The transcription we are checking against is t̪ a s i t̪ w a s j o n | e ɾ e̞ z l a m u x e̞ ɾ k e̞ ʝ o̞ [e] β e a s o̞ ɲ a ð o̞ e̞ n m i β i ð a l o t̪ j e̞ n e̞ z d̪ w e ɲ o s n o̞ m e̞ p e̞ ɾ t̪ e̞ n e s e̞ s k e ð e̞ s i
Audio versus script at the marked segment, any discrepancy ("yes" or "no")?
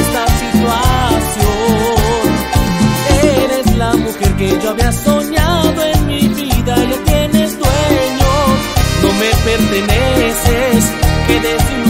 yes